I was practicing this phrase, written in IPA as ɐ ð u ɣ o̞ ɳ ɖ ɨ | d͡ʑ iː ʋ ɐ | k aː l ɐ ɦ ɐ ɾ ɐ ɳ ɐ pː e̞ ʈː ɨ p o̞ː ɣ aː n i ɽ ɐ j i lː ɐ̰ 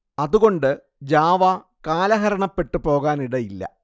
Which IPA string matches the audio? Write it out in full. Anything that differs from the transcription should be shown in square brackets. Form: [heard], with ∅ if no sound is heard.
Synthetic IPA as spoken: ɐ ð u ɣ o̞ ɳ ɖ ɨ | d͡ʑ [aː] ʋ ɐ | k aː l ɐ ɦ ɐ ɾ ɐ ɳ ɐ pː e̞ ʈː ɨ p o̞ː ɣ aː n i ɽ ɐ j i lː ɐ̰